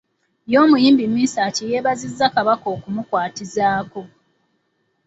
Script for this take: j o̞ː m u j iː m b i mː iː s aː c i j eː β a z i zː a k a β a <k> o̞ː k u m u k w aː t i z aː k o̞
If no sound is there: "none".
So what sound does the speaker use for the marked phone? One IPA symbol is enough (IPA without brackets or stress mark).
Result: k